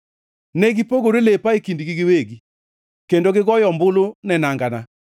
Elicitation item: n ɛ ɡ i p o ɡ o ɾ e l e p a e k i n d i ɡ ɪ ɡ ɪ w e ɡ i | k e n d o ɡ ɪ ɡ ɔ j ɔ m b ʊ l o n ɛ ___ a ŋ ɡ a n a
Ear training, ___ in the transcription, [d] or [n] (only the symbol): n